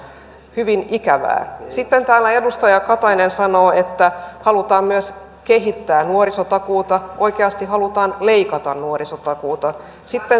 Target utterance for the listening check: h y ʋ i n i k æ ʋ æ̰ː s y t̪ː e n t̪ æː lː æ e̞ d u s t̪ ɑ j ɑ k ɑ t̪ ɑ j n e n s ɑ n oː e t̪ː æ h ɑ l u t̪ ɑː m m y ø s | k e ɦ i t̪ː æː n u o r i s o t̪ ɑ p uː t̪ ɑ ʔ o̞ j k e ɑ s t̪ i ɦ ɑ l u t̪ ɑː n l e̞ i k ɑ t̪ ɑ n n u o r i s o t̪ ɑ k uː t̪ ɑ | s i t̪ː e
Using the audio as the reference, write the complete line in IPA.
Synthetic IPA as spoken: h y ʋ i n i k æ ʋ æ̰ː s i t̪ː e n t̪ æː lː æ e̞ d u s t̪ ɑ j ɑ k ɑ t̪ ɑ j n e n s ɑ n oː e t̪ː æ h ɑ l u t̪ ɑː m m y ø s | k e ɦ i t̪ː æː n u o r i s o t̪ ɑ k uː t̪ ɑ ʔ o̞ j k e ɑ s t̪ i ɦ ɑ l u t̪ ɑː n l e̞ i k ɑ t̪ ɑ n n u o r i s o t̪ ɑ k uː t̪ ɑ | s i t̪ː e